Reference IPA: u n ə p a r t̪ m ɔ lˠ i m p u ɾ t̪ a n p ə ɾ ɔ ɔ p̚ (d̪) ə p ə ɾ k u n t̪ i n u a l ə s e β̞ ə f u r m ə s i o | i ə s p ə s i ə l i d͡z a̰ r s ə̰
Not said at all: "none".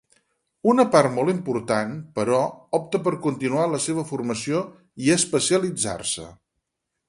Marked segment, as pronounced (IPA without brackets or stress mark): t̪